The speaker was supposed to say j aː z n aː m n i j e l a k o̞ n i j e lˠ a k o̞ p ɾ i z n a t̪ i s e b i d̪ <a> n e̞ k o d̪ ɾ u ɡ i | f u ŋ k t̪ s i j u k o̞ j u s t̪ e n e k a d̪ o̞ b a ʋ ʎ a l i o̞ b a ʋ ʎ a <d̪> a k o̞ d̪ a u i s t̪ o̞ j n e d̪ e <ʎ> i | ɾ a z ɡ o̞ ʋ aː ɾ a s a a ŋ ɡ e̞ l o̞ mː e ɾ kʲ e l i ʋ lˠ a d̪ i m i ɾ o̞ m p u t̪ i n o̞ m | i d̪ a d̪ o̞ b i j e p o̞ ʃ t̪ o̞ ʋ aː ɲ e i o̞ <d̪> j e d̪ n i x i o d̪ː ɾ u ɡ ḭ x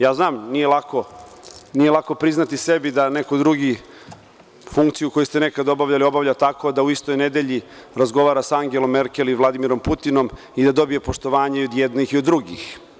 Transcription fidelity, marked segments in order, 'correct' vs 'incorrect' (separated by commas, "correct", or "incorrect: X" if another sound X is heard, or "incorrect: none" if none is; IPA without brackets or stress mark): correct, incorrect: t̪, correct, correct